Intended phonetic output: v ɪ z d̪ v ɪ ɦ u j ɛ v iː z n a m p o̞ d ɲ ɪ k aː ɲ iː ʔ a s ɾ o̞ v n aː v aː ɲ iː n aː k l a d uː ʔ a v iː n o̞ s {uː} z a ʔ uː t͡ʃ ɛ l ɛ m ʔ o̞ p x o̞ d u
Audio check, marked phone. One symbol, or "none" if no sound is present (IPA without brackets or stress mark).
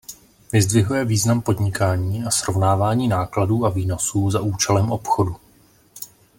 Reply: uː